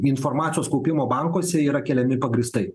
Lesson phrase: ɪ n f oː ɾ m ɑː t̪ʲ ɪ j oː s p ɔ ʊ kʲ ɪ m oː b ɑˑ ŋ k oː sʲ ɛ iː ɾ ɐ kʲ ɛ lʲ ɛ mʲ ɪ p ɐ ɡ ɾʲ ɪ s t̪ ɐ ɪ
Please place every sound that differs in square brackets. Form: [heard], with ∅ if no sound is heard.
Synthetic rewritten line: ɪ n f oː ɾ m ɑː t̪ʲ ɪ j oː s [k] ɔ ʊ [pʲ] ɪ m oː b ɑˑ ŋ k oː sʲ ɛ iː ɾ ɐ kʲ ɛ lʲ ɛ mʲ ɪ p ɐ ɡ ɾʲ ɪ s t̪ ɐ ɪ

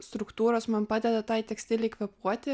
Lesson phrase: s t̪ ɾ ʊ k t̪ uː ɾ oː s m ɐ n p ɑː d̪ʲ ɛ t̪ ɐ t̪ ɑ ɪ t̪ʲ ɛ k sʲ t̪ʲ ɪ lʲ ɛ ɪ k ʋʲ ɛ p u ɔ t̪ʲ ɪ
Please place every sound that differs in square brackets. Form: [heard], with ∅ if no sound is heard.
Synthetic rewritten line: s t̪ ɾ ʊ k t̪ uː ɾ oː s m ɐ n p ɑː d̪ʲ ɛ [d̪] ɐ t̪ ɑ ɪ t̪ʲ ɛ k sʲ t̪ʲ ɪ lʲ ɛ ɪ k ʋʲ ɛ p u ɔ t̪ʲ ɪ

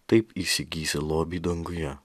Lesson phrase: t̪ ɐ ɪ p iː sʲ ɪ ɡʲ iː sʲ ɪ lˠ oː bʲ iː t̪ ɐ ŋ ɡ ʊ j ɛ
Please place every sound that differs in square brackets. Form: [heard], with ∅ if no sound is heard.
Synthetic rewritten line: t̪ ɐ ɪ p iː sʲ ɪ ɡʲ iː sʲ ɪ lˠ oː bʲ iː [d̪] ɐ ŋ ɡ ʊ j ɛ

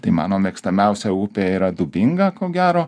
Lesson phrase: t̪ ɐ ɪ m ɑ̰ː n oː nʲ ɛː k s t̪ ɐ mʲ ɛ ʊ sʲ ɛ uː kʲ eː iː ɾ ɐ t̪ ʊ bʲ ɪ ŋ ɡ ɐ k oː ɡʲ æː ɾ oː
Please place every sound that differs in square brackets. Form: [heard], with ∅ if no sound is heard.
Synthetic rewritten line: t̪ ɐ ɪ m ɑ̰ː n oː [mʲ] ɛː k s t̪ ɐ mʲ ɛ ʊ sʲ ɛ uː [pʲ] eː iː ɾ ɐ [d̪] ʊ bʲ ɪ ŋ ɡ ɐ k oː ɡʲ æː ɾ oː

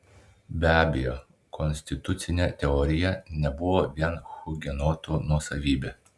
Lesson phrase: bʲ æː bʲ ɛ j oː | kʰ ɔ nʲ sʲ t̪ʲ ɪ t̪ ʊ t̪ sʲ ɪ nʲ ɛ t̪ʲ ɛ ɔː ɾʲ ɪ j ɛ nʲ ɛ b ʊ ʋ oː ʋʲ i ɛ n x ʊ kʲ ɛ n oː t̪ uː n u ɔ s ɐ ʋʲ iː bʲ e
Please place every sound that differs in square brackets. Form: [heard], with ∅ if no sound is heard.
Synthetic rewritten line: bʲ æː bʲ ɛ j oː | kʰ ɔ nʲ sʲ t̪ʲ ɪ t̪ ʊ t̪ sʲ ɪ nʲ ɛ t̪ʲ ɛ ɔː ɾʲ ɪ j ɛ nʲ ɛ b ʊ ʋ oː ʋʲ i ɛ n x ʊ [ɡʲ] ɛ n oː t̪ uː n u ɔ s ɐ ʋʲ iː bʲ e

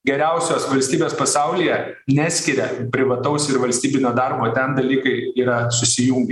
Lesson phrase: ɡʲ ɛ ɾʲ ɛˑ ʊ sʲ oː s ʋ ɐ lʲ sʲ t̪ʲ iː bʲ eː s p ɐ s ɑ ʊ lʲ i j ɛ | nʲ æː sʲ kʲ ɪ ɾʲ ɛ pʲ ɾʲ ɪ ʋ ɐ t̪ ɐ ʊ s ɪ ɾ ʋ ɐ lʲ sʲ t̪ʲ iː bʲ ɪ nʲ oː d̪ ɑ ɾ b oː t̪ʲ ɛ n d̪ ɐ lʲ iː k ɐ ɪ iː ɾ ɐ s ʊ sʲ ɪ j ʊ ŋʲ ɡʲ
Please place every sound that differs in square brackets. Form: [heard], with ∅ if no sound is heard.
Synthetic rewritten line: ɡʲ ɛ ɾʲ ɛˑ ʊ sʲ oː s ʋ ɐ lʲ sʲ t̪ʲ iː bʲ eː s p ɐ s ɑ ʊ lʲ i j ɛ | nʲ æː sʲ kʲ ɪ ɾʲ ɛ pʲ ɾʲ ɪ ʋ ɐ t̪ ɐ ʊ s ɪ ɾ ʋ ɐ lʲ sʲ t̪ʲ iː bʲ ɪ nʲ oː d̪ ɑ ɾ b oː t̪ʲ ɛ n d̪ ɐ lʲ iː k ɐ ɪ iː ɾ ɐ s ʊ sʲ ɪ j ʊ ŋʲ ɡʲ

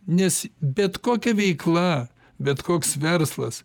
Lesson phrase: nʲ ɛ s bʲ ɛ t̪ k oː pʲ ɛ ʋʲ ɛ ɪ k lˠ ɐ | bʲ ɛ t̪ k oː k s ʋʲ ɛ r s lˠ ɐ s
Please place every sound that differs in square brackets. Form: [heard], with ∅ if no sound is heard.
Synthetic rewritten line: nʲ ɛ s bʲ ɛ t̪ k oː [kʲ] ɛ ʋʲ ɛ ɪ k lˠ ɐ | bʲ ɛ t̪ k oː k s ʋʲ ɛ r s lˠ ɐ s

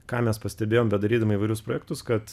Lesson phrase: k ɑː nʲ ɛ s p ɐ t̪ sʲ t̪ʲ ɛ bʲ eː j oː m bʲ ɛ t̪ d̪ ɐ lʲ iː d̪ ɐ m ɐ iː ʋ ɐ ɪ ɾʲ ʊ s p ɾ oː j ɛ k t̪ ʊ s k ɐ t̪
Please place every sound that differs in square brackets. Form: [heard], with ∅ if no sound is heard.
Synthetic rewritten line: k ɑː [mʲ] ɛ s p ɐ [∅] sʲ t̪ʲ ɛ bʲ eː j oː m bʲ ɛ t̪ d̪ ɐ [ɾʲ] iː d̪ ɐ m ɐ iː ʋ ɐ ɪ ɾʲ ʊ s p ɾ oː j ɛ k t̪ ʊ s k ɐ t̪

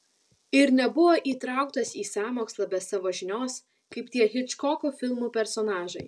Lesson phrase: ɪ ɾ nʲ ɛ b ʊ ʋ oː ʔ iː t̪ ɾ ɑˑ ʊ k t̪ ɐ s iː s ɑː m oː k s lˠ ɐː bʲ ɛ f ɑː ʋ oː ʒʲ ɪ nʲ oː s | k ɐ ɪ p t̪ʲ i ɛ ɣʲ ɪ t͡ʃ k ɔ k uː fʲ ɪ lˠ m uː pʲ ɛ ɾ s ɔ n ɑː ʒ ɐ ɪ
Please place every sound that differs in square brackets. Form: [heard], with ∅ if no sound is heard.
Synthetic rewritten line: ɪ ɾ nʲ ɛ b ʊ ʋ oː ʔ iː t̪ ɾ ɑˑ ʊ k t̪ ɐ s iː s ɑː m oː k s lˠ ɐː bʲ ɛ [s] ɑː ʋ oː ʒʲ ɪ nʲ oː s | k ɐ ɪ p t̪ʲ i ɛ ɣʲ ɪ t͡ʃ k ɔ k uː fʲ ɪ lˠ m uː pʲ ɛ ɾ s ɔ n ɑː ʒ ɐ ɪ

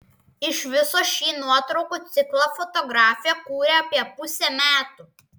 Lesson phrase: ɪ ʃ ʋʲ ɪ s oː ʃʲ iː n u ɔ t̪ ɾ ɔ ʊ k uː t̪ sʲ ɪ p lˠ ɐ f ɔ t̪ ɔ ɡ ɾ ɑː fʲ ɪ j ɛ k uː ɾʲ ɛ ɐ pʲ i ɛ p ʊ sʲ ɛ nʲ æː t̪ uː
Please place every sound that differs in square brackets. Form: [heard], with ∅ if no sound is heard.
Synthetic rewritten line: ɪ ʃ ʋʲ ɪ s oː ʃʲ iː n u ɔ t̪ ɾ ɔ ʊ k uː t̪ sʲ ɪ [k] lˠ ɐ f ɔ t̪ ɔ ɡ ɾ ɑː fʲ ɪ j ɛ k uː ɾʲ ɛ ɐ pʲ i ɛ p ʊ sʲ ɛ [mʲ] æː t̪ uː

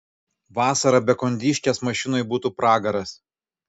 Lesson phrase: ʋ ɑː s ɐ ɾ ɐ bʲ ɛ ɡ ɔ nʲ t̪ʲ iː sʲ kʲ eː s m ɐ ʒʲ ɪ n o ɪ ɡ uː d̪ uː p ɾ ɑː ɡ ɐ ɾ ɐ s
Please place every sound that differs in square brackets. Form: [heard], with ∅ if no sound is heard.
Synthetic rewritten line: ʋ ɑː s ɐ ɾ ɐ bʲ ɛ [k] ɔ nʲ [d̪ʲ] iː [ʃʲ] kʲ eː s m ɐ [ʃʲ] ɪ n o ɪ [b] uː [t̪] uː p ɾ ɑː ɡ ɐ ɾ ɐ s

